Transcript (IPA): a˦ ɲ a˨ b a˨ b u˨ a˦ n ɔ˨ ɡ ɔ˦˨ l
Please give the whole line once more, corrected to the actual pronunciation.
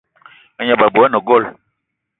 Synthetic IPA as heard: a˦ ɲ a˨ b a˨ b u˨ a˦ n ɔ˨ ɡ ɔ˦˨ l